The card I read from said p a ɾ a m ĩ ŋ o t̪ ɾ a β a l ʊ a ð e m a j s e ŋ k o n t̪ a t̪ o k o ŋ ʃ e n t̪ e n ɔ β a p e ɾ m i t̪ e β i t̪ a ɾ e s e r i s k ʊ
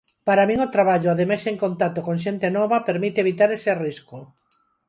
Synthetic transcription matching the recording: p a ɾ a m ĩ ŋ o t̪ ɾ a β a ʎ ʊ a ð e m a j s e ŋ k o n t̪ a t̪ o k o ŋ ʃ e n t̪ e n ɔ β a p e ɾ m i t̪ e β i t̪ a ɾ e s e r i s k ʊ